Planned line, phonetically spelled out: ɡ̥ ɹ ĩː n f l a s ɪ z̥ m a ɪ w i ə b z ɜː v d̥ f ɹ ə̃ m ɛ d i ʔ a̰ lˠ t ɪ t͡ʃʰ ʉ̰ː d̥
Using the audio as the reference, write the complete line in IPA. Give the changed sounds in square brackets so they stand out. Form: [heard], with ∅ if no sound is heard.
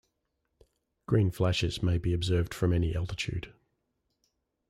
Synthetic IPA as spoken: ɡ̥ ɹ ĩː n f l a [ʃ] ɪ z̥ m [e] ɪ [b] i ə b z ɜː v d̥ f ɹ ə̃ m ɛ [n] i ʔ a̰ lˠ t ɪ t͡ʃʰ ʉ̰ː d̥